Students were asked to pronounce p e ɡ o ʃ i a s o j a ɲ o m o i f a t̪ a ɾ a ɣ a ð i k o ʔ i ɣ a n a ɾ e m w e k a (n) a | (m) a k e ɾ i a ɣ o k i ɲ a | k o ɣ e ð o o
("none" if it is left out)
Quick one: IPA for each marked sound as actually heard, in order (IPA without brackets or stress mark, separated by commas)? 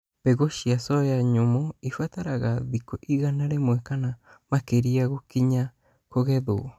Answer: n, m